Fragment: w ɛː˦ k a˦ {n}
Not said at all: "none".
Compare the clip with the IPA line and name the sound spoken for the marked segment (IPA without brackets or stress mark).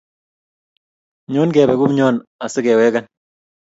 n